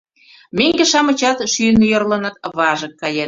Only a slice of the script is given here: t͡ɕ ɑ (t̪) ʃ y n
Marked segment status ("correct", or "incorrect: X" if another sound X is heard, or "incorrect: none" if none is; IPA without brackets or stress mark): correct